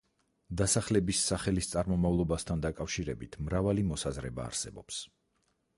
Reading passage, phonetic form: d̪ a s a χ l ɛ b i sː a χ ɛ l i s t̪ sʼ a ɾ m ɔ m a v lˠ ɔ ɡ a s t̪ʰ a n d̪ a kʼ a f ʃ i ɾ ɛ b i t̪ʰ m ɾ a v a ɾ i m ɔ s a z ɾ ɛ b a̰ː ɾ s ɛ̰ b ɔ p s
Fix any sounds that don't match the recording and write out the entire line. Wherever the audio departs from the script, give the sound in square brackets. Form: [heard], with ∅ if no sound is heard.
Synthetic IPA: d̪ a s a χ l ɛ b i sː a χ ɛ l i s t̪ sʼ a ɾ m ɔ m a v lˠ ɔ [b] a s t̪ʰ a n d̪ a kʼ a f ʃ i ɾ ɛ b i t̪ʰ m ɾ a v a [l] i m ɔ s a z ɾ ɛ b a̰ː ɾ s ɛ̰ b ɔ p s

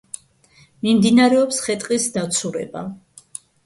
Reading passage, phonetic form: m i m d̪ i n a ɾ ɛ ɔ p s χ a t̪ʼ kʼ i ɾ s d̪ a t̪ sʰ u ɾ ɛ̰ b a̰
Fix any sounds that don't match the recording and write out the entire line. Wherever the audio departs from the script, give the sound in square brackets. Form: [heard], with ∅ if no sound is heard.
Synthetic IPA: m i m d̪ i n a ɾ ɛ ɔ p s χ [ɛ] t̪ʼ [qʼ] i [∅] s d̪ a t̪ sʰ u ɾ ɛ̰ b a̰

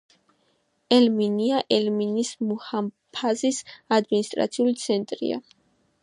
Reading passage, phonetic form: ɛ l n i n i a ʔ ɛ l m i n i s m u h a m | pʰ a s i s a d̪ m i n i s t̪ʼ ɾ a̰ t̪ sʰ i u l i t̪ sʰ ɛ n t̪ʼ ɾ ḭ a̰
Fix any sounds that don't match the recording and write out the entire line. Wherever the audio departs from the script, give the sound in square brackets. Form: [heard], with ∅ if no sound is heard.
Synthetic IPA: ɛ l [m] i n i a ʔ ɛ l m i n i s m u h a m | pʰ a [z] i s a d̪ m i n i s t̪ʼ ɾ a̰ t̪ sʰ i u l i t̪ sʰ ɛ n t̪ʼ ɾ ḭ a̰

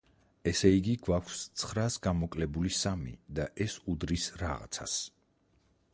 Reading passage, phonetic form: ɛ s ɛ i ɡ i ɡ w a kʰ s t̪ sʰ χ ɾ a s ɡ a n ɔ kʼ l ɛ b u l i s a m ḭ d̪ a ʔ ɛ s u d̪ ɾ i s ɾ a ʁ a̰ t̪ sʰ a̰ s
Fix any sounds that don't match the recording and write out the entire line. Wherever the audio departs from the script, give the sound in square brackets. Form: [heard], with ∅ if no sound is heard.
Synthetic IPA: ɛ s ɛ i ɡ i ɡ w a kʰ s t̪ sʰ χ ɾ a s ɡ a [m] ɔ kʼ l ɛ b u l i s a m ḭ d̪ a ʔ ɛ s u d̪ ɾ i s ɾ a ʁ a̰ t̪ sʰ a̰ s

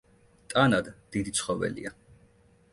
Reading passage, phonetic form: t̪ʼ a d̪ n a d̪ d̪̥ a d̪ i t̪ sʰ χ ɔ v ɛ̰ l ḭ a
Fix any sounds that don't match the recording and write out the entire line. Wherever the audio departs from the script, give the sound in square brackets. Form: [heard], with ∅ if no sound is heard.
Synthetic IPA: t̪ʼ a [∅] n a d̪ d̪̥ [i] d̪ i t̪ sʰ χ ɔ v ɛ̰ l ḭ a

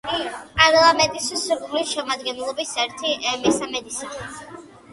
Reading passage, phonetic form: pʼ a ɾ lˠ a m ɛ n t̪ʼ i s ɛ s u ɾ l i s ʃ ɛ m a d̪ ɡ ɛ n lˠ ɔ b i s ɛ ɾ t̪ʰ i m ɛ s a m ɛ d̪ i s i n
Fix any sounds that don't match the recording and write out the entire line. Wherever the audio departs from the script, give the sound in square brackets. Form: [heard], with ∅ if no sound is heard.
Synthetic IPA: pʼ a ɾ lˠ a m ɛ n t̪ʼ i s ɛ s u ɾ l i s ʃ ɛ m a d̪ ɡ ɛ n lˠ ɔ b i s ɛ ɾ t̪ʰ i m ɛ s a m ɛ d̪ i s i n

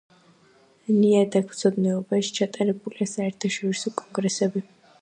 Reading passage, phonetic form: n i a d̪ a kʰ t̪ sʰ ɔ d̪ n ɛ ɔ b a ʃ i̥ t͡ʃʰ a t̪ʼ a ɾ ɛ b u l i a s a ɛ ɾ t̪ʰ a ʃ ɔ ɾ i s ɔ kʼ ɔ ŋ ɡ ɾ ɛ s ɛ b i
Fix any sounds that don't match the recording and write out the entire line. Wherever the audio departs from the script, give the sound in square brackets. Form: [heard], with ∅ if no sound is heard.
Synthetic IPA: n i a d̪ a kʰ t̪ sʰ ɔ d̪ n ɛ ɔ b a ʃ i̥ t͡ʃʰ a t̪ʼ a ɾ ɛ b u l i a s a ɛ ɾ t̪ʰ a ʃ ɔ ɾ i s ɔ kʼ ɔ ŋ ɡ ɾ ɛ s ɛ b i

